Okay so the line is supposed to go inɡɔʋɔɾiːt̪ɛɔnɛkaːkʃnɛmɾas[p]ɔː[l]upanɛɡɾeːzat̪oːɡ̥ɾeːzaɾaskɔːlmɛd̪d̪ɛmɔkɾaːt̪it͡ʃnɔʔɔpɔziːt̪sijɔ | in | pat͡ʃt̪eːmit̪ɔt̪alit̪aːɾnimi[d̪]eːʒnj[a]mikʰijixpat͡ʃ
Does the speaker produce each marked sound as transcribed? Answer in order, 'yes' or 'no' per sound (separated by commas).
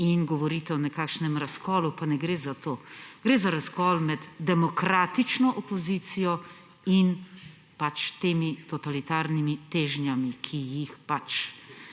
no, yes, no, yes